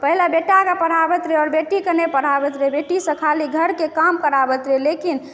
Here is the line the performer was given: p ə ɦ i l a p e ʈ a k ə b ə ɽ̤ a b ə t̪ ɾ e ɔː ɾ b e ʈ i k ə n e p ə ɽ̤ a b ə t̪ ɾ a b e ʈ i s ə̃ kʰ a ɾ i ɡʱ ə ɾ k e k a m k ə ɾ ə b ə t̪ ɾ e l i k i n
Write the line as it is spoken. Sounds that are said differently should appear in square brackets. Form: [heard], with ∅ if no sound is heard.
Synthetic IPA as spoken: p ə ɦ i l a [b] e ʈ a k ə [p] ə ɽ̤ a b ə t̪ ɾ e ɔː ɾ b e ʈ i k ə n e p ə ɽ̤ a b ə t̪ ɾ [e] b e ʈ i s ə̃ kʰ a [l] i ɡʱ ə ɾ k e k a m k ə ɾ [a] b ə t̪ ɾ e l [e] k i n